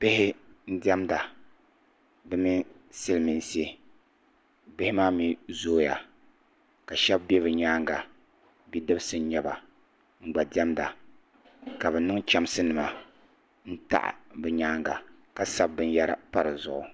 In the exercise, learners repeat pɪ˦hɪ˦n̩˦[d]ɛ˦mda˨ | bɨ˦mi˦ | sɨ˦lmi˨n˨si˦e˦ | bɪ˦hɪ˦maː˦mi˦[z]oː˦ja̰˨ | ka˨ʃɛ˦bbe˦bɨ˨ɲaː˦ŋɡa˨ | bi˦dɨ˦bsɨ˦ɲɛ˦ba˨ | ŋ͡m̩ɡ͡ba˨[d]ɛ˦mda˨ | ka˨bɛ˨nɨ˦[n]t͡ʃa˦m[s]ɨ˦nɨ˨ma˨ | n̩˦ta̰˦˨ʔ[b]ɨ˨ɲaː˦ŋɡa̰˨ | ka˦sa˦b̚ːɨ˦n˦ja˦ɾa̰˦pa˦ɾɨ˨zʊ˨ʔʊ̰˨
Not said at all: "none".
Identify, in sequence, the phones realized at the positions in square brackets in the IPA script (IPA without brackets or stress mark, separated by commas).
d, z, d, ŋ, s, b